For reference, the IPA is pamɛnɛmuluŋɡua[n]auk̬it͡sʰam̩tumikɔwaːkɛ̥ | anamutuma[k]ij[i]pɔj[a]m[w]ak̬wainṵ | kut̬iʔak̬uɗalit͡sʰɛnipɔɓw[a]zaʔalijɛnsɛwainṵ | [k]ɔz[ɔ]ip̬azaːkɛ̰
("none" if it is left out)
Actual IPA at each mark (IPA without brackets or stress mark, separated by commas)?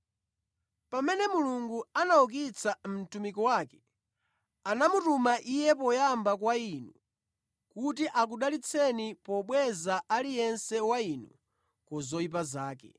n, ʔ, ɛ, a, b, ɛ, k, ɔ